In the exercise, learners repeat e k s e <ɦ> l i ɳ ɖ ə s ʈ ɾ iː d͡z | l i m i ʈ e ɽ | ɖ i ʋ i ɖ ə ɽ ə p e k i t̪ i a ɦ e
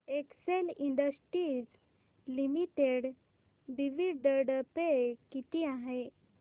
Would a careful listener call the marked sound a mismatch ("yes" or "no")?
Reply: yes